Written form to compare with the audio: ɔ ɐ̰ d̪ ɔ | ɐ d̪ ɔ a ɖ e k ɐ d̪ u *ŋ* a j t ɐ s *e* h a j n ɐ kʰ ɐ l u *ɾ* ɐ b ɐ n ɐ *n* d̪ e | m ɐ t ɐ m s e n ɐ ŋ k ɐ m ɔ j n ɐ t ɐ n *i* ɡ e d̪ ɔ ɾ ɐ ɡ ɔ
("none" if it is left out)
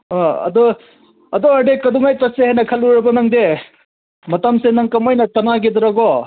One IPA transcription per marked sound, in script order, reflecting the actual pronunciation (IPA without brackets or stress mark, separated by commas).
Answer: ŋ, e, ɾ, ŋ, a